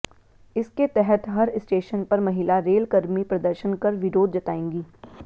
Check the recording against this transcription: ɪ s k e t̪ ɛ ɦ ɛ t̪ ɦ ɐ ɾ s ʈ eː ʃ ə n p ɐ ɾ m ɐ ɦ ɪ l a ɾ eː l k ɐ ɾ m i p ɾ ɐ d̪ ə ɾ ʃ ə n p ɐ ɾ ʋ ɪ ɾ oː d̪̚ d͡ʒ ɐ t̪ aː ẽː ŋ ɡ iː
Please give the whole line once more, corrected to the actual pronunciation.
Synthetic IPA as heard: ɪ s k e t̪ ɛ ɦ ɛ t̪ ɦ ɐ ɾ s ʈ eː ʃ ə n p ɐ ɾ m ɐ ɦ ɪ l a ɾ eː l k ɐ ɾ m i p ɾ ɐ d̪ ə ɾ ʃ ə n k ɐ ɾ ʋ ɪ ɾ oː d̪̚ d͡ʒ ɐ t̪ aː ẽː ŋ ɡ iː